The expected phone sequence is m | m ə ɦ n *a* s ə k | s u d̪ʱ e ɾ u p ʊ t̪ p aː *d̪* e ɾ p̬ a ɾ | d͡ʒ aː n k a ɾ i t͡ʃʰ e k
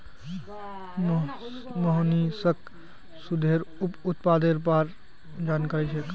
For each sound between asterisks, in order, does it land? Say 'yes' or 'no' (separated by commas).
no, yes